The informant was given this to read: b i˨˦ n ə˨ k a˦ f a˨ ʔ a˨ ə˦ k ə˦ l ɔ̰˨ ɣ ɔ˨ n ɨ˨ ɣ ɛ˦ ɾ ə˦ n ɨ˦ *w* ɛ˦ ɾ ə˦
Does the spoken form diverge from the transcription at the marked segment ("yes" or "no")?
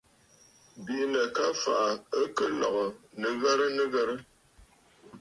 yes